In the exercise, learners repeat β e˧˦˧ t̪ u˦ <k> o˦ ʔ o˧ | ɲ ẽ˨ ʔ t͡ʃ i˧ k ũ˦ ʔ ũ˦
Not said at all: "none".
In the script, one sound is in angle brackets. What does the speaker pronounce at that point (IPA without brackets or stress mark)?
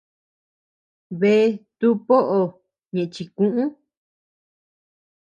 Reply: p